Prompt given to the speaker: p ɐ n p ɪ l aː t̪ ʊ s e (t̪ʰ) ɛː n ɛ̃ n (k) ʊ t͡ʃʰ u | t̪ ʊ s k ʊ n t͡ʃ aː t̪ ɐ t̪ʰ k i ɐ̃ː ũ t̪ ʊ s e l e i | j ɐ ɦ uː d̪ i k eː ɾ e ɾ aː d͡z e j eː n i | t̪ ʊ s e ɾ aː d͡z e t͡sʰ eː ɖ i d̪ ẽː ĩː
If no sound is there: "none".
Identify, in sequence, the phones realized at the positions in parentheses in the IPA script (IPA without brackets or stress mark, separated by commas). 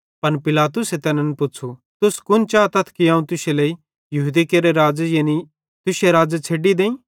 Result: t̪, p